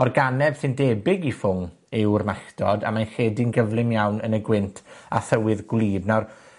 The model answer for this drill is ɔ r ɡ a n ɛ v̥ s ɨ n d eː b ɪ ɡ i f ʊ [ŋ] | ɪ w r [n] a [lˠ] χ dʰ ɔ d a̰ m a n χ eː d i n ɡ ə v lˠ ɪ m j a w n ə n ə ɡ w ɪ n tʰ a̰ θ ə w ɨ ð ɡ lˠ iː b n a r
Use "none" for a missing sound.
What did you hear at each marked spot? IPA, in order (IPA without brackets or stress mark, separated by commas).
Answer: ŋ, m, none